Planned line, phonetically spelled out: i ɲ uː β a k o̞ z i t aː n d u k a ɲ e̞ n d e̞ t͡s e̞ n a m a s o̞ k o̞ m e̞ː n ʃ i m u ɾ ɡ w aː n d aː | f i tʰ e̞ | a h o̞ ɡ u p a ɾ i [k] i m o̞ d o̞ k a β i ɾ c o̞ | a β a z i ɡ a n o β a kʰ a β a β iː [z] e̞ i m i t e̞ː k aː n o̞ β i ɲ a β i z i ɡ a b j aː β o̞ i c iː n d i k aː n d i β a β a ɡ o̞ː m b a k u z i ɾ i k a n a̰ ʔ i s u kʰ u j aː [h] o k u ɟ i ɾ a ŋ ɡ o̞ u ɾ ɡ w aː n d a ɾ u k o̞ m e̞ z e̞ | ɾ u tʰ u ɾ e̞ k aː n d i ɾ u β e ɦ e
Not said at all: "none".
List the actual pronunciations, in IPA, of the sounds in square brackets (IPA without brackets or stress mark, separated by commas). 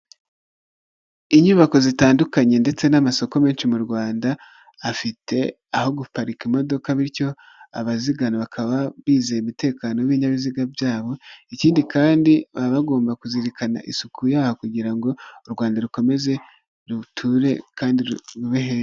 k, z, h